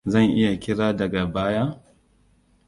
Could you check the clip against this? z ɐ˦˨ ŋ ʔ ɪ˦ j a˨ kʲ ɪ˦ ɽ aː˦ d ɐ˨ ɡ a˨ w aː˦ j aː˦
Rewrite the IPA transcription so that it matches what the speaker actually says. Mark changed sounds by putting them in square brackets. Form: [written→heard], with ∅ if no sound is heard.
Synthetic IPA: z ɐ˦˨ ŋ ʔ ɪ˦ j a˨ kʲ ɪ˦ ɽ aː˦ d ɐ˨ ɡ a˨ [w→b] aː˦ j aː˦